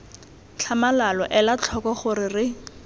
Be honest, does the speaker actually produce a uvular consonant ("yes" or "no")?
yes